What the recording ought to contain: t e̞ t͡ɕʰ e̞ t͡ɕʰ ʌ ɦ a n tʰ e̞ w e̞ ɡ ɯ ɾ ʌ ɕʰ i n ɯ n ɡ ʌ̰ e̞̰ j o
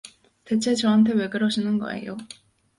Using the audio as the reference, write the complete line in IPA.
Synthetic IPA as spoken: t e̞ t͡ɕʰ e̞ t͡ɕ ʌ ɦ a n tʰ e̞ w e̞ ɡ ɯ ɾ ʌ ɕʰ i n ɯ n ɡ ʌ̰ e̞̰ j o